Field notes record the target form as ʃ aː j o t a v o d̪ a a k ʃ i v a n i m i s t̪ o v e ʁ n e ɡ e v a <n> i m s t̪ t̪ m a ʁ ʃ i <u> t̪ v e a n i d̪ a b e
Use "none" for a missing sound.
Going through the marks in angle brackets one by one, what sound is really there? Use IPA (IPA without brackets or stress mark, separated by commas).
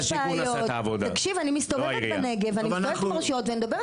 n, o